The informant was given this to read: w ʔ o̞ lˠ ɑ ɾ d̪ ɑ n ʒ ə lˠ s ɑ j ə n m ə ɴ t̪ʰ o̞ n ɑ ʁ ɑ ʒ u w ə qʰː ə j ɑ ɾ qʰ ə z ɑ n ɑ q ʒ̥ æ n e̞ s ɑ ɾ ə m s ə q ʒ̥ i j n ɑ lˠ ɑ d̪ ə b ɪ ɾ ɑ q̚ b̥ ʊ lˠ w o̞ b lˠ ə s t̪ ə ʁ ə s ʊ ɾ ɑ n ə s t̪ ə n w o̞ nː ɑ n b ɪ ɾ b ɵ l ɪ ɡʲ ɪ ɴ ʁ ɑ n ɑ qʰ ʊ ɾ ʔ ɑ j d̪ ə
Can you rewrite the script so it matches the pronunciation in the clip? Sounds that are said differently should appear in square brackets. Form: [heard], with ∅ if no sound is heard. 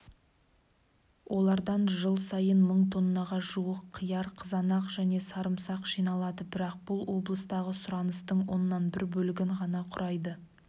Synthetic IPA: w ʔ o̞ lˠ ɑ ɾ d̪ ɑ n ʒ ə lˠ s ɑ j ə n m ə ɴ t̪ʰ o̞ [nː] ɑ ʁ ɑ ʒ u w ə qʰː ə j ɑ ɾ qʰ ə z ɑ n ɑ q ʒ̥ æ n e̞ s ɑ ɾ ə m s [ɑ] q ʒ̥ i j n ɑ lˠ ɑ d̪ ə b ɪ ɾ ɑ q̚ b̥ ʊ lˠ w o̞ b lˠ ə s t̪ [ɑ] ʁ ə s ʊ ɾ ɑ n ə s t̪ ə [ɴ] w o̞ nː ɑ n b ɪ ɾ b ɵ l ɪ ɡʲ ɪ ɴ ʁ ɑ n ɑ qʰ ʊ ɾ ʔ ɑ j d̪ ə

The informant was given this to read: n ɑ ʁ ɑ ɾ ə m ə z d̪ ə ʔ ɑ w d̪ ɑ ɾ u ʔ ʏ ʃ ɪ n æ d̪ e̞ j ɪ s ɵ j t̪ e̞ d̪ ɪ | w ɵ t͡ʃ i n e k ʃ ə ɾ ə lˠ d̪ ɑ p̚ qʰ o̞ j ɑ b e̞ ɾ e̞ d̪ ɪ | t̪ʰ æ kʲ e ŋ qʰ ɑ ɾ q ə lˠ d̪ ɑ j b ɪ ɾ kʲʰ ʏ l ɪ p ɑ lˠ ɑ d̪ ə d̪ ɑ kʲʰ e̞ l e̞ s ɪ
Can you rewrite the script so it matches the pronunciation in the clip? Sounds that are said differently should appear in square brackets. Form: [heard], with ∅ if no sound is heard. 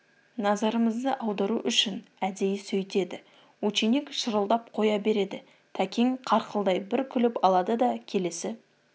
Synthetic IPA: n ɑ [z] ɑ ɾ ə m ə z d̪ ə ʔ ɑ w d̪ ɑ ɾ u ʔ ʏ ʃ ɪ n æ d̪ e̞ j ɪ s ɵ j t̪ e̞ d̪ ɪ | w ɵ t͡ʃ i n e k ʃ ə ɾ ə lˠ d̪ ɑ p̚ qʰ o̞ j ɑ b e̞ ɾ e̞ d̪ ɪ | t̪ʰ æ kʲ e ŋ qʰ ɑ ɾ q ə lˠ d̪ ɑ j b ɪ ɾ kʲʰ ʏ l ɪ p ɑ lˠ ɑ d̪ ə d̪ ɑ kʲʰ e̞ l e̞ s ɪ

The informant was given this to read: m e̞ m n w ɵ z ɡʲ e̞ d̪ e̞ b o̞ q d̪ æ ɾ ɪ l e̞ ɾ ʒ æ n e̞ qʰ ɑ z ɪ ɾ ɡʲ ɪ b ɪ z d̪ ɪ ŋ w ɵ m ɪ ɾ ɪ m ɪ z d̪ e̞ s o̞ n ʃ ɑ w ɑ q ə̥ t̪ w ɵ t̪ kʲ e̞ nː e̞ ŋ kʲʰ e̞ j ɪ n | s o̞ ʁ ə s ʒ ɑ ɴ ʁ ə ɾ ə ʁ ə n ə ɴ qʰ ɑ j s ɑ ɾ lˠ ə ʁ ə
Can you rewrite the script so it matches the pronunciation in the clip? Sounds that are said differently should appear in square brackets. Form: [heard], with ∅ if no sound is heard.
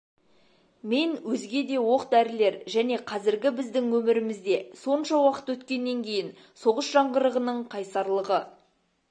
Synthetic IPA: m e̞ [∅] n w ɵ z ɡʲ e̞ d̪ e̞ [w] o̞ q d̪ æ ɾ ɪ l e̞ ɾ ʒ æ n e̞ qʰ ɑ z ɪ ɾ ɡʲ ɪ b ɪ z d̪ ɪ ŋ w ɵ m ɪ ɾ ɪ m ɪ z d̪ e̞ s o̞ n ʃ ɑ w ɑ q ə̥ t̪ w ɵ t̪ kʲ e̞ nː e̞ ŋ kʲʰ e̞ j ɪ n | s o̞ ʁ ə s ʒ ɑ ɴ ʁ ə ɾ ə ʁ ə n ə ɴ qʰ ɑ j s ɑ ɾ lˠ ə ʁ ə

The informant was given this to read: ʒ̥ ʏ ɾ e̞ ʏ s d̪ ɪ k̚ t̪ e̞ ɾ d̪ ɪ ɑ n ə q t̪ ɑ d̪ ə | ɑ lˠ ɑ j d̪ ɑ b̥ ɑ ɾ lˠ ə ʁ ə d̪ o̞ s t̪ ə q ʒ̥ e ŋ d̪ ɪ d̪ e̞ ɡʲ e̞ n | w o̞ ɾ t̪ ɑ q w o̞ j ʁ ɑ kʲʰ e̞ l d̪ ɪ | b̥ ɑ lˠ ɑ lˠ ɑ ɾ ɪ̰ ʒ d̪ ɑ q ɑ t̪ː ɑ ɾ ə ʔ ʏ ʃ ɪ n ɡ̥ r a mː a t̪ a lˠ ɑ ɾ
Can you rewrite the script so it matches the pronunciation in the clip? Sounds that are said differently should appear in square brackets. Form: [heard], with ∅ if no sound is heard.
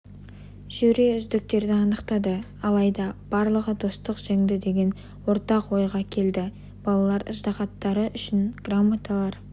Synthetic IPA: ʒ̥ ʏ ɾ e̞ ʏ [z] d̪ ɪ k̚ t̪ e̞ ɾ d̪ ɪ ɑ n ə q t̪ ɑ d̪ ə | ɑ lˠ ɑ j d̪ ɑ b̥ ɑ ɾ lˠ ə ʁ ə d̪ o̞ s t̪ ə q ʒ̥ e ŋ d̪ ɪ d̪ e̞ ɡʲ e̞ n | w o̞ ɾ t̪ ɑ q w o̞ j ʁ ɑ kʲʰ e̞ l d̪ ɪ | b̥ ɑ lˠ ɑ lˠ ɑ ɾ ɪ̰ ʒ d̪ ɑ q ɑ t̪ː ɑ ɾ ə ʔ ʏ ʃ ɪ n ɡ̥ r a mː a t̪ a lˠ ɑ ɾ

